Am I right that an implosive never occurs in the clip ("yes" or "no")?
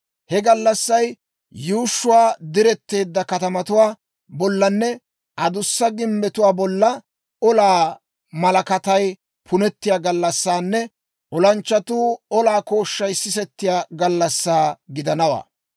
yes